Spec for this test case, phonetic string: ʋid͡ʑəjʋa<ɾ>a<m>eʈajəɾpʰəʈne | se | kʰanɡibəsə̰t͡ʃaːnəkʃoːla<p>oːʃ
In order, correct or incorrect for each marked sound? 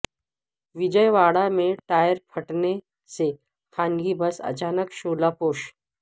incorrect: ɽ, correct, correct

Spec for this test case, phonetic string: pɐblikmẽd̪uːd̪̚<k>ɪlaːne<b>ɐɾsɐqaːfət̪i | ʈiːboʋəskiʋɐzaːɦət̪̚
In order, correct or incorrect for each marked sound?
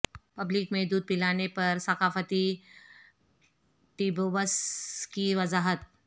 incorrect: p, incorrect: p

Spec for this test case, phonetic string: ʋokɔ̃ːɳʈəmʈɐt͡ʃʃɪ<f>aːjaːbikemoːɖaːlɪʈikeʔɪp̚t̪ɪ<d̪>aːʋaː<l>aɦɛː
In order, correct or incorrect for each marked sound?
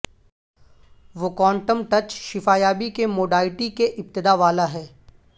correct, correct, correct

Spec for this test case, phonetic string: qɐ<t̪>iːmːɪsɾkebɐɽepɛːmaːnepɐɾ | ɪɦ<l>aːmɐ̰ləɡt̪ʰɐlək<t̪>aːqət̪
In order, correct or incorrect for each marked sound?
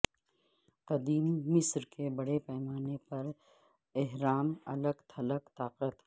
incorrect: d̪, incorrect: ɾ, correct

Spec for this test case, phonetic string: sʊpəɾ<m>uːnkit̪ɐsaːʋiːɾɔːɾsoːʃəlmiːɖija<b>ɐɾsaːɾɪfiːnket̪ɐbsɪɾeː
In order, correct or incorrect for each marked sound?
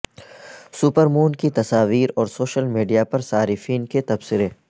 correct, incorrect: p

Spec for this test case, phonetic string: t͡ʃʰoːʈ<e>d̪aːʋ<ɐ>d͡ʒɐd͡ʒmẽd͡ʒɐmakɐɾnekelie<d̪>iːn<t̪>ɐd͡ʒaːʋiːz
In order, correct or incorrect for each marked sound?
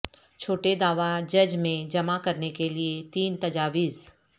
correct, incorrect: a, incorrect: t̪, correct

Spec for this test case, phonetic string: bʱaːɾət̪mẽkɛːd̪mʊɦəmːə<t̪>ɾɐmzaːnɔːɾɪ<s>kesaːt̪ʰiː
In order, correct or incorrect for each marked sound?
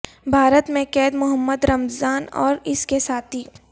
incorrect: d̪, correct

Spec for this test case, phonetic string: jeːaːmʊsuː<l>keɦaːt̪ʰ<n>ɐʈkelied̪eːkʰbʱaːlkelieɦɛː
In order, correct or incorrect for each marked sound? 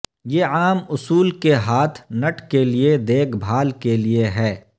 correct, correct

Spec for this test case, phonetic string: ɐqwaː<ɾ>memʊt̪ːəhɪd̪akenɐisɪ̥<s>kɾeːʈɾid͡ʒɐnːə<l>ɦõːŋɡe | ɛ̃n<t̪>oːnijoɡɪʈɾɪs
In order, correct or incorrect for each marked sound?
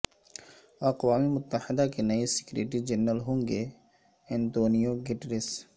incorrect: none, incorrect: none, correct, correct

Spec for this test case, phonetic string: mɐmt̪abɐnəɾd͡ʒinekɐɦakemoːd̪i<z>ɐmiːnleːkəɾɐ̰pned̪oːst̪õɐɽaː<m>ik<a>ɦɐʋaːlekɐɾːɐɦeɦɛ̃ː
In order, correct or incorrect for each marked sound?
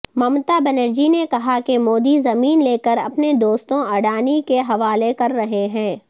correct, incorrect: n, incorrect: e

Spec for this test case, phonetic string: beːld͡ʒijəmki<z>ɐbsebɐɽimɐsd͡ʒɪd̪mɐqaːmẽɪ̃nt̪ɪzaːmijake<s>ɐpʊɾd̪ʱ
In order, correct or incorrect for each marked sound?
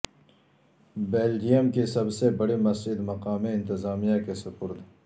incorrect: s, correct

